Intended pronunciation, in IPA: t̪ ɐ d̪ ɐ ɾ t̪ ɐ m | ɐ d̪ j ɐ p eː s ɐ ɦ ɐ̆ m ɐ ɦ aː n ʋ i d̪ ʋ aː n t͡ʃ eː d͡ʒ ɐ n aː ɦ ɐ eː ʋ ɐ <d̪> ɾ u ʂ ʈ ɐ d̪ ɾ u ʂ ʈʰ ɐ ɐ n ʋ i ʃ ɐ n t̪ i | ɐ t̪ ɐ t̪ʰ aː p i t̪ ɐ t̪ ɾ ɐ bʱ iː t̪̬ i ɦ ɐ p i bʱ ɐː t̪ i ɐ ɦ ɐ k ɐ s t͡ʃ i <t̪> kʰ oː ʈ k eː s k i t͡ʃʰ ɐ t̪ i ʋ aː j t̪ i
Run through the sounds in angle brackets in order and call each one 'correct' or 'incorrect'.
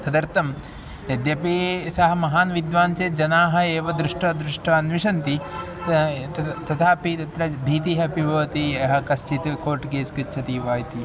correct, correct

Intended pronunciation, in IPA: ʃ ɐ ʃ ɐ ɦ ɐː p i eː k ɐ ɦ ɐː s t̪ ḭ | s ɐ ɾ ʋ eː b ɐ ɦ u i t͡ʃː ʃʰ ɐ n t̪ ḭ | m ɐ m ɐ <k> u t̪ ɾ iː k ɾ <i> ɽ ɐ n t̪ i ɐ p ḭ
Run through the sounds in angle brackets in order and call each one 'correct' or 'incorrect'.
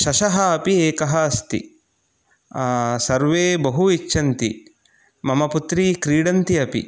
incorrect: p, incorrect: iː

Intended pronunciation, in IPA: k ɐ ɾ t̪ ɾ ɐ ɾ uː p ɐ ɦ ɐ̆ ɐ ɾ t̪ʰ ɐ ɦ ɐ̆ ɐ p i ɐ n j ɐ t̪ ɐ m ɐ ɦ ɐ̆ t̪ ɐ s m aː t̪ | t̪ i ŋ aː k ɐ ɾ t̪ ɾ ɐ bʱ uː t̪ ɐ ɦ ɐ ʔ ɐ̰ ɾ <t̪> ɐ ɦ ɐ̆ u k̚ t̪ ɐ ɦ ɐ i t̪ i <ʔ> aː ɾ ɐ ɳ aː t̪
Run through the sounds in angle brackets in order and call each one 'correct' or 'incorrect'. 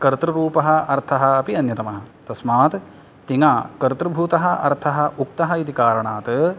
incorrect: t̪ʰ, incorrect: k

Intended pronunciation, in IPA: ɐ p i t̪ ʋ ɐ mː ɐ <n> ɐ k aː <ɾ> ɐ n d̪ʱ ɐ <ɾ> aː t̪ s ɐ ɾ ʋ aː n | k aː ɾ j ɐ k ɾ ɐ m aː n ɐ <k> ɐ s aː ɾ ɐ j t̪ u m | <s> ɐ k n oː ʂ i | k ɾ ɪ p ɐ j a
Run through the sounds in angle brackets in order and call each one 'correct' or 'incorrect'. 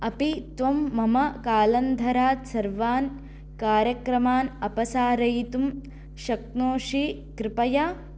incorrect: m, incorrect: l, correct, incorrect: p, incorrect: ʃ

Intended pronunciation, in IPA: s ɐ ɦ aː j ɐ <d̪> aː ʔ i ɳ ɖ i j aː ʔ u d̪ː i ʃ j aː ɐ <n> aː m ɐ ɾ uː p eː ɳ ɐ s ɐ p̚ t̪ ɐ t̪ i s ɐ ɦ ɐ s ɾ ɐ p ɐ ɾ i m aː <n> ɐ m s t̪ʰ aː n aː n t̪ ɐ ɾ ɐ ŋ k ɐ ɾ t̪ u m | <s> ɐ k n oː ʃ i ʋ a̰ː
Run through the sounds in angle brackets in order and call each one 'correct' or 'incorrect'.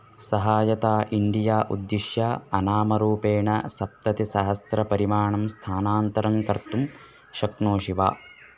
incorrect: t̪, correct, incorrect: ɳ, incorrect: ʃ

